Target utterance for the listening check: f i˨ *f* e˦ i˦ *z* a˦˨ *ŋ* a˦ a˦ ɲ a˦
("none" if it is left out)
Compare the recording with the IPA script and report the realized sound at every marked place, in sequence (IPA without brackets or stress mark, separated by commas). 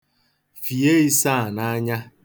none, s, n